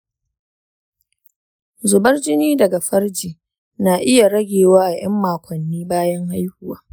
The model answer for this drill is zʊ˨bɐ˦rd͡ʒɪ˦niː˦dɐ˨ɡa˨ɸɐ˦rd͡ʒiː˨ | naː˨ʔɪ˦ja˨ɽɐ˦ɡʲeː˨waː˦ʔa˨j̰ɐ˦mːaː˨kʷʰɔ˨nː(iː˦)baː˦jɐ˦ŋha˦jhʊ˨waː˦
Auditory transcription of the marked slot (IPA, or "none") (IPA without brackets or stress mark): iː˦